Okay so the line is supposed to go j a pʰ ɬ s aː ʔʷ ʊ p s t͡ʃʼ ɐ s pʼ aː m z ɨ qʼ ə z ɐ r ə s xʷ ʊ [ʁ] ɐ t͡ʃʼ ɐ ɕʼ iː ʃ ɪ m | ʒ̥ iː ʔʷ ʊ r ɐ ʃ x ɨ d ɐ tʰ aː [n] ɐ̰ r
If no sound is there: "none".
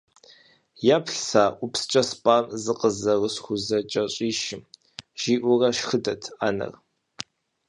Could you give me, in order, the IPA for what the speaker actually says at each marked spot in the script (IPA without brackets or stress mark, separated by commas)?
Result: z, n